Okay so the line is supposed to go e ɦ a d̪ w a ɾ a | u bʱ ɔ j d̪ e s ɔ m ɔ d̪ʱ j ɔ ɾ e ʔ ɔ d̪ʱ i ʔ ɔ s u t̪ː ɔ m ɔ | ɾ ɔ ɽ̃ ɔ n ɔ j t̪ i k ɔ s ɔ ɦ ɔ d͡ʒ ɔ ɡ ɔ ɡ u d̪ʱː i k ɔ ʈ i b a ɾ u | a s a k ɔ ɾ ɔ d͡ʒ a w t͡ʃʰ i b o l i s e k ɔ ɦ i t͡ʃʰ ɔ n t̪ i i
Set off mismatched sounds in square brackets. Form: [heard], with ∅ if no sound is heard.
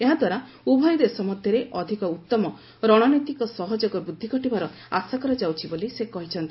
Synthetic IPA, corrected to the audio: e ɦ a d̪ w a ɾ a | u bʱ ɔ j d̪ e s ɔ m ɔ d̪ʱ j ɔ ɾ e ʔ ɔ d̪ʱ i [k] ɔ [∅] u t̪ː ɔ m ɔ | ɾ ɔ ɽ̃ ɔ n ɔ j t̪ i k ɔ s ɔ ɦ ɔ d͡ʒ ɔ ɡ ɔ [b] u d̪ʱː i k ɔ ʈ i b a ɾ [ɔ] | a s a k ɔ ɾ ɔ d͡ʒ a w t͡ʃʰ i b o l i s e k ɔ ɦ i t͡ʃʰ ɔ n t̪ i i